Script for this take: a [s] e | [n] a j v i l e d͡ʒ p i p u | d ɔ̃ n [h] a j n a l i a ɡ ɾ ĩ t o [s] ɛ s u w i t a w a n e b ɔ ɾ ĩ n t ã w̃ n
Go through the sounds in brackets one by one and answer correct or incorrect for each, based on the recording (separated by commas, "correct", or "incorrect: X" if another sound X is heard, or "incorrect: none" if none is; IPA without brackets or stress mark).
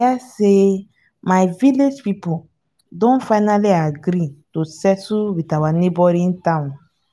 correct, incorrect: m, incorrect: f, correct